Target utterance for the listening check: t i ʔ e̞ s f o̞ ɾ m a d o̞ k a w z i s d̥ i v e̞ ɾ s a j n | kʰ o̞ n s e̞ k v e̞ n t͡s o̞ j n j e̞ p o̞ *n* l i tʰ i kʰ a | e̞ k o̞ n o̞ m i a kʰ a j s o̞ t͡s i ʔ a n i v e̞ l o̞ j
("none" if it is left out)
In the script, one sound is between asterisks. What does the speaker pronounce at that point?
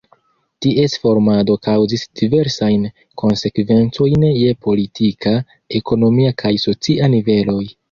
none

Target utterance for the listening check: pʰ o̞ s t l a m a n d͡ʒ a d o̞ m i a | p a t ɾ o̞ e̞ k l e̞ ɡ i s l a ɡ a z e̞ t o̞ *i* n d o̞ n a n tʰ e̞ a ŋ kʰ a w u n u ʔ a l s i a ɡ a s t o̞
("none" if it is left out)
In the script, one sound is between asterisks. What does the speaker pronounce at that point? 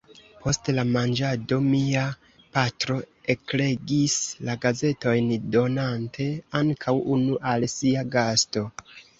j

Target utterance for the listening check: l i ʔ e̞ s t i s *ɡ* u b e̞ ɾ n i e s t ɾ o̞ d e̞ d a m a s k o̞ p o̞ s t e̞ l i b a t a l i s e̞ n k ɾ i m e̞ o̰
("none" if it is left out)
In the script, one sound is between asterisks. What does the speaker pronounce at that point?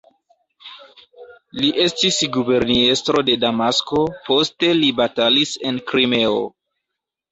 ɡ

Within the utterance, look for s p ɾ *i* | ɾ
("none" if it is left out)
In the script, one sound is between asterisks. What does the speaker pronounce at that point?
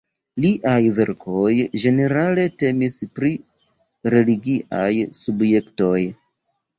i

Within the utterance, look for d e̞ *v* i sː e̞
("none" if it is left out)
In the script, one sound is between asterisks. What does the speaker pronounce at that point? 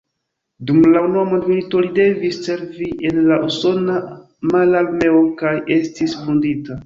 v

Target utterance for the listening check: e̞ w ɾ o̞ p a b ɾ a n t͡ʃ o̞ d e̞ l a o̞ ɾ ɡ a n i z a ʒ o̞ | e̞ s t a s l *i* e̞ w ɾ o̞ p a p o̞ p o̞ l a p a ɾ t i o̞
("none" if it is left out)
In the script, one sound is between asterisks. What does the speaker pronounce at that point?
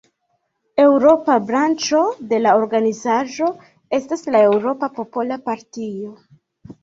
a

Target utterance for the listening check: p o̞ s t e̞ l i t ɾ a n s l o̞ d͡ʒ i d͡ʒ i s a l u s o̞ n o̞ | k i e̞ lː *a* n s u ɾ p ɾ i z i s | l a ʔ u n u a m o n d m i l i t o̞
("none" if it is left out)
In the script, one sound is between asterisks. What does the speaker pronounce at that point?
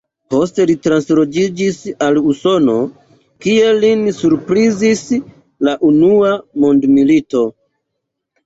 i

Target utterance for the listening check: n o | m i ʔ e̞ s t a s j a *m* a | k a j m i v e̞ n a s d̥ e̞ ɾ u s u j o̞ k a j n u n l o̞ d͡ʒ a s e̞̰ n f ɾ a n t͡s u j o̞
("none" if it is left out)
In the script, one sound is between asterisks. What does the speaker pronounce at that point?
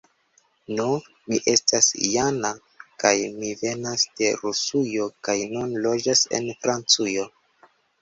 n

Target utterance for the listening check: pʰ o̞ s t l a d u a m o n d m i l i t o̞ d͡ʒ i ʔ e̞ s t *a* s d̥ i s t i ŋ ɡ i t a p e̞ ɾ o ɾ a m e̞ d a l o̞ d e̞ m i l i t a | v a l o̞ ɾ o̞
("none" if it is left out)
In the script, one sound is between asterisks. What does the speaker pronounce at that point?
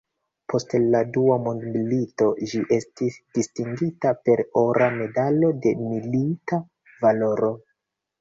i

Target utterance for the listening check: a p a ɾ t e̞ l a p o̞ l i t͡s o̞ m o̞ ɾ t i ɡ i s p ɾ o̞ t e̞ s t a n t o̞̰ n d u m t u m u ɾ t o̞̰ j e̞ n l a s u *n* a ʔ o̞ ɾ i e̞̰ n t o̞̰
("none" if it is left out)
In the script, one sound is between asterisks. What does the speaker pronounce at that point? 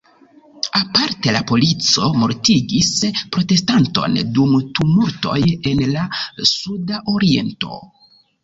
d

